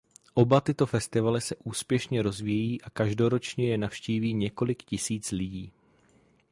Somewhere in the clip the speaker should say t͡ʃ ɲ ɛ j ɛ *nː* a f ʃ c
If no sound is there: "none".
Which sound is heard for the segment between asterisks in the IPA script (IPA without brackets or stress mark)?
n